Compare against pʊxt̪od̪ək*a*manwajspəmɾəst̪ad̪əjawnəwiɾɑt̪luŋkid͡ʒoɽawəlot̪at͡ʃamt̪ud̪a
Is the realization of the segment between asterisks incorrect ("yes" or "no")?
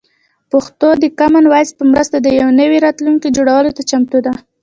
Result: no